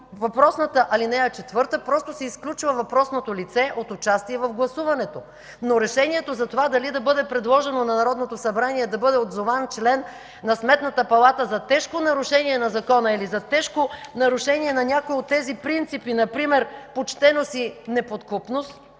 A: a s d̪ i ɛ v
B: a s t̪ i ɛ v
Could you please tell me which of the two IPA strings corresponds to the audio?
B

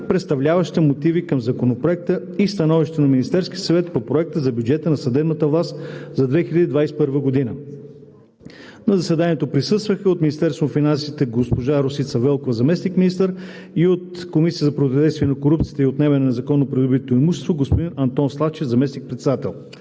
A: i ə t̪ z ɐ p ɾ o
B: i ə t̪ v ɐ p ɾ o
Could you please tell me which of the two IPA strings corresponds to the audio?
A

